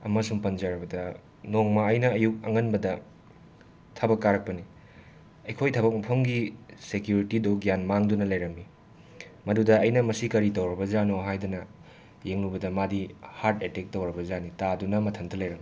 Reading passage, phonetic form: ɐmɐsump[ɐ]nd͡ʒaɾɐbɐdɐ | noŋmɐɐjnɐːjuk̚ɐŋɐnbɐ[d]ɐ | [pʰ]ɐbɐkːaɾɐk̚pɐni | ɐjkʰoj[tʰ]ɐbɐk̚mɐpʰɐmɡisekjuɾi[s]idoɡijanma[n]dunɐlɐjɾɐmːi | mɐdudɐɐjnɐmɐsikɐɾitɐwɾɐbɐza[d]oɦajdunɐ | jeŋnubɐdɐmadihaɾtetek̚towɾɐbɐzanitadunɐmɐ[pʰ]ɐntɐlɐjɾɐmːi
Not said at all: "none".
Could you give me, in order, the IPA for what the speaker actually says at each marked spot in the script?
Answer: ɐ, d, tʰ, tʰ, t, ŋ, n, tʰ

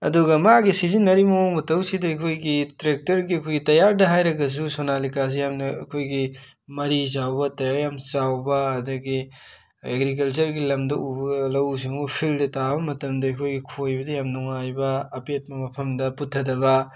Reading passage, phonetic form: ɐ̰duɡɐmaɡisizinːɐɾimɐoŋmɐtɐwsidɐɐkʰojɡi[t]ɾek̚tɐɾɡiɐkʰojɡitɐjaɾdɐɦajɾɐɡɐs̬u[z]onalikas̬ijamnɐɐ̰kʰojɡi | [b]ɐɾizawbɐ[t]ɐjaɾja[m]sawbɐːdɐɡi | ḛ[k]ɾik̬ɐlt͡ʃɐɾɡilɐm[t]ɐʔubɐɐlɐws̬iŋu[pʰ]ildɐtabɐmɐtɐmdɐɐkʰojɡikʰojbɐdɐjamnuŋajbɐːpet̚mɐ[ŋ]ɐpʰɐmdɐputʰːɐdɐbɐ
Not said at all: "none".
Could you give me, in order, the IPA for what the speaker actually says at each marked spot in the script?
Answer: t, s, m, t, m, ɡ, d, pʰ, m

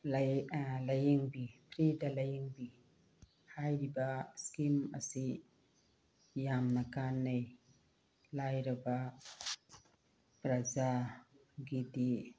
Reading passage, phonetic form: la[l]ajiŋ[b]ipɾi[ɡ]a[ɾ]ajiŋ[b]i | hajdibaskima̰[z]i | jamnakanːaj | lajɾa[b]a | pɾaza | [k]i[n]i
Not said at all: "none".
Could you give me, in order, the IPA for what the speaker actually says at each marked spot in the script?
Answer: l, b, d, l, b, s, b, ɡ, d

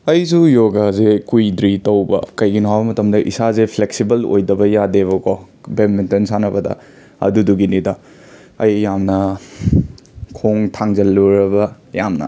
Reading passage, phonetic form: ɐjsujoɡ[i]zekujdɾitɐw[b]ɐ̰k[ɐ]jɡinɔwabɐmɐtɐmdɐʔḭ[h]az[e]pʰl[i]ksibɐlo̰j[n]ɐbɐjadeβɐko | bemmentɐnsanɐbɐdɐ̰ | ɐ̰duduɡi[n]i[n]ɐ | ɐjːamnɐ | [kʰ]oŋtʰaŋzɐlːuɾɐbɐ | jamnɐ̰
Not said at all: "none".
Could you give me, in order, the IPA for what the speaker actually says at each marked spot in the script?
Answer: a, b, ɐ, s, e, e, d, n, d, kʰ

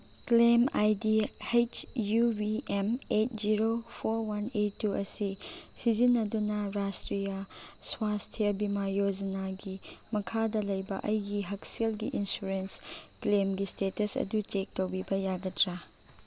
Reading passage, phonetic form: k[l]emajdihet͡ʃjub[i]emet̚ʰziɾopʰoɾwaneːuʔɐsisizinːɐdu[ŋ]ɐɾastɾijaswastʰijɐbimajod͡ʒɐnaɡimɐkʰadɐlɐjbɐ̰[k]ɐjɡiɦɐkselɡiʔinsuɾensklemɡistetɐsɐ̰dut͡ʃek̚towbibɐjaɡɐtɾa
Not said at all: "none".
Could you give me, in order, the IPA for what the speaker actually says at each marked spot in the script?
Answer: l, i, n, ʔ

